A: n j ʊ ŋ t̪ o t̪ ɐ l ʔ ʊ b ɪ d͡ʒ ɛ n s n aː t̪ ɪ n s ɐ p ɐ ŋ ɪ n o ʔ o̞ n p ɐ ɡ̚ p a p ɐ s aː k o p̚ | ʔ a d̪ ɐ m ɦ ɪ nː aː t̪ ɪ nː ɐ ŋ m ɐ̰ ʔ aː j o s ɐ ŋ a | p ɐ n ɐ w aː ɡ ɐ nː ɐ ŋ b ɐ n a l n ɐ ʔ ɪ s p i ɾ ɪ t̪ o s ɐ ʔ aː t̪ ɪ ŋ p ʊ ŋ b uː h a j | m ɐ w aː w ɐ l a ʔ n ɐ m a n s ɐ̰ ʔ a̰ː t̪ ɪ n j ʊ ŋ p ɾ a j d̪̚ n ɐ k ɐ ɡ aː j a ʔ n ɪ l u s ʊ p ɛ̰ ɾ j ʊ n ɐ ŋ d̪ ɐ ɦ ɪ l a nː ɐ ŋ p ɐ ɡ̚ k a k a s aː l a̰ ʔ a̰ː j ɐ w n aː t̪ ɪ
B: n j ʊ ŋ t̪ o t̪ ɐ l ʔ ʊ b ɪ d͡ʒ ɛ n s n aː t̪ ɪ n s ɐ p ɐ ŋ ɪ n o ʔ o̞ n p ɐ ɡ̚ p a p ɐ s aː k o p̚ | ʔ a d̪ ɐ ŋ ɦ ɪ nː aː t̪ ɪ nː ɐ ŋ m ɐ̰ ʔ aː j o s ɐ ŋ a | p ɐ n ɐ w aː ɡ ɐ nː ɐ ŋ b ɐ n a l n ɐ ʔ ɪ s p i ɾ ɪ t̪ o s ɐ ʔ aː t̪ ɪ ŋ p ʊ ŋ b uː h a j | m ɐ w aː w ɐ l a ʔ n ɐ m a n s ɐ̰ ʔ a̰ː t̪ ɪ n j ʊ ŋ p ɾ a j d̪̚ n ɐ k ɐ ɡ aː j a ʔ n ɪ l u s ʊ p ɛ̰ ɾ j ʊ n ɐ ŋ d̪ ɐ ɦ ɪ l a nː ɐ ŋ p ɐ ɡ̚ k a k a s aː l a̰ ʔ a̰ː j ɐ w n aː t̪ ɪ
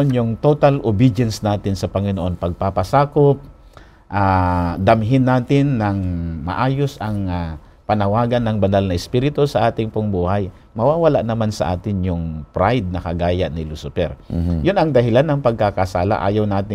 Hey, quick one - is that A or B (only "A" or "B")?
A